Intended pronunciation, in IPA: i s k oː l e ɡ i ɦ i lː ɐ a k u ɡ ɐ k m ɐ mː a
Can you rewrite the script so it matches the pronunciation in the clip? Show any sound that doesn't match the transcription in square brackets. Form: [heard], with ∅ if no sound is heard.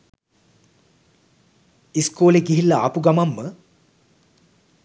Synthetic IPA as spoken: i s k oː l e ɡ i ɦ i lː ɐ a [p] u ɡ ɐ [∅] m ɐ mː [ə]

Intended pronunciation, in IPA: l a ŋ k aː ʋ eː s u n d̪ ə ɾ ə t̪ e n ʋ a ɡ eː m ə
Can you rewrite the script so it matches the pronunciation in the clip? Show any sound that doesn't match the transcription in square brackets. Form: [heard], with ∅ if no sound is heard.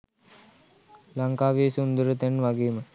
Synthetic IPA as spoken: l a ŋ k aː ʋ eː s u n d̪ ə ɾ ə t̪ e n ʋ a ɡ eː m ə

